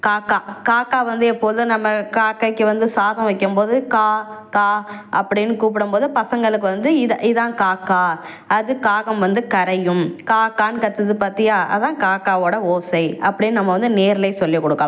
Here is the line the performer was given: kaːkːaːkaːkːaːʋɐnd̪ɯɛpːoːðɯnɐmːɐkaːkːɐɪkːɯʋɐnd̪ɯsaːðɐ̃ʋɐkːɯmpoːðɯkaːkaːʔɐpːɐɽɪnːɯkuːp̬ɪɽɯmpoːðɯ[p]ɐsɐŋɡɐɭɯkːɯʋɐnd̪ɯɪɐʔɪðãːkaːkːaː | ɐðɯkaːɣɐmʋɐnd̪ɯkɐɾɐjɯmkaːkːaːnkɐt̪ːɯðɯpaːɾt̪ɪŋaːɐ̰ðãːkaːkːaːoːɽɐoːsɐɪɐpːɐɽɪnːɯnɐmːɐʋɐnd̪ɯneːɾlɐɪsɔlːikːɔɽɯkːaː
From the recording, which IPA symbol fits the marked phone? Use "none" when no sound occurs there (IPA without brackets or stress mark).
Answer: p